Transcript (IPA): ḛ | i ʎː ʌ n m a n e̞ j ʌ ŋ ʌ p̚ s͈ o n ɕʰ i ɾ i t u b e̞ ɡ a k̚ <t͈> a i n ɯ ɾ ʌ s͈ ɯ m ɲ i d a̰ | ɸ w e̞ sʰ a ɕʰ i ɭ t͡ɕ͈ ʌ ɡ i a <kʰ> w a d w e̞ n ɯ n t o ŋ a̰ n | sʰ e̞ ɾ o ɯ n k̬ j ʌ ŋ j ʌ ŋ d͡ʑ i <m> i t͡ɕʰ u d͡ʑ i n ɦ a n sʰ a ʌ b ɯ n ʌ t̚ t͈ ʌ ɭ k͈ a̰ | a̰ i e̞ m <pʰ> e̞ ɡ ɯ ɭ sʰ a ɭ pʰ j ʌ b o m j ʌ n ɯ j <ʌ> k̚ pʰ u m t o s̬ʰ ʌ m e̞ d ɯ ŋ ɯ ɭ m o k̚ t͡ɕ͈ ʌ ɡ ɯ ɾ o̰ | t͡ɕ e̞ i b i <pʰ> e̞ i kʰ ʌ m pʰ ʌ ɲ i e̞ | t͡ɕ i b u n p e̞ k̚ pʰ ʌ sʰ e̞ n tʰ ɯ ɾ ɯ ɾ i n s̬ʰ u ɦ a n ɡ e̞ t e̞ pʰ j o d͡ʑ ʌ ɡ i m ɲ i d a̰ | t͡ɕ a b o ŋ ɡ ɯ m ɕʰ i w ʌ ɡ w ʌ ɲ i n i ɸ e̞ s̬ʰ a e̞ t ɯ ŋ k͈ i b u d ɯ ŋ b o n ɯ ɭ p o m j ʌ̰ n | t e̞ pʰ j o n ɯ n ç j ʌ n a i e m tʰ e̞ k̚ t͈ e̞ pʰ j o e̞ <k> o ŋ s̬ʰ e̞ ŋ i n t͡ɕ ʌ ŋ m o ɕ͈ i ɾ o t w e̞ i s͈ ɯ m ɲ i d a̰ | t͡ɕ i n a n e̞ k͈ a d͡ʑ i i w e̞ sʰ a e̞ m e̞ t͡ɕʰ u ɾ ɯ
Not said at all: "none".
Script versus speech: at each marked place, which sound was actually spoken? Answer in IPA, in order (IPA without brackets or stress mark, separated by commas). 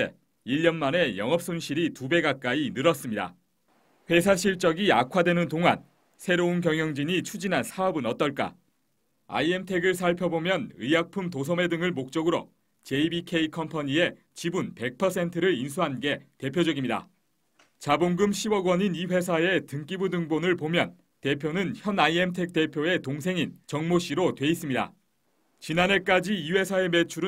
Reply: k͈, kʰ, ɲ, tʰ, a, kʰ, t